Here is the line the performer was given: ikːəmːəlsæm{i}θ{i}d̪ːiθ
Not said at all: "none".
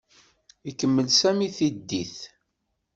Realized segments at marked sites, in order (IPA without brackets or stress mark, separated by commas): i, i